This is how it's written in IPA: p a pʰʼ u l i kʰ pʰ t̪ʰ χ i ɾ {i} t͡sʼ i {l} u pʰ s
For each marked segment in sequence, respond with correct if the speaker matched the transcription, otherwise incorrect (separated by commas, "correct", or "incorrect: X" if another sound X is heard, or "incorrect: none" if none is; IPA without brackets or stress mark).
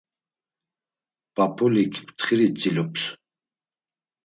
correct, correct